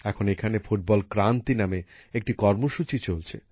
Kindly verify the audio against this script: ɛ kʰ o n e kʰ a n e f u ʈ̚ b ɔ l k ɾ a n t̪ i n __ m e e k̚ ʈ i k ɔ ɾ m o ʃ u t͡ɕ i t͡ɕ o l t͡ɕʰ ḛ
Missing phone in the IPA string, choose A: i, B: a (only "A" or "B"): B